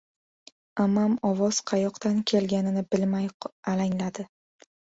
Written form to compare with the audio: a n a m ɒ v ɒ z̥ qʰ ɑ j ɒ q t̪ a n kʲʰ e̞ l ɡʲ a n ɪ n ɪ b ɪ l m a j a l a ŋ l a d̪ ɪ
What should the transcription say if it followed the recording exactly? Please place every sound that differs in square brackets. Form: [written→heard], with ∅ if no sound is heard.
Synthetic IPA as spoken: a [n→m] a m ɒ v ɒ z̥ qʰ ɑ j ɒ q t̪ a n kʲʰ e̞ l ɡʲ a n ɪ n ɪ b ɪ l m a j a l a ŋ l a d̪ ɪ